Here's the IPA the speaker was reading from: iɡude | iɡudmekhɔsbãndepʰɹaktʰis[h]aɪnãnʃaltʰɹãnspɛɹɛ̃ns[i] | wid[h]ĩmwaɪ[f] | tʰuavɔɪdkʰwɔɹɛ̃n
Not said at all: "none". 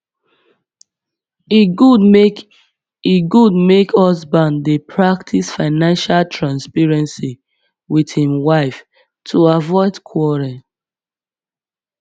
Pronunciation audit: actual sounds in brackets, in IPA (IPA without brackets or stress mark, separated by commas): f, i, h, f